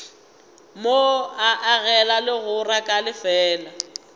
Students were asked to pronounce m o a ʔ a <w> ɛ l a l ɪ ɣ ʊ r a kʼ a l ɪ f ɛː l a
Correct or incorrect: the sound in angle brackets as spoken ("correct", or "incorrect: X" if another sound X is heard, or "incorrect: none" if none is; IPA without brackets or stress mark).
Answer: incorrect: ɣ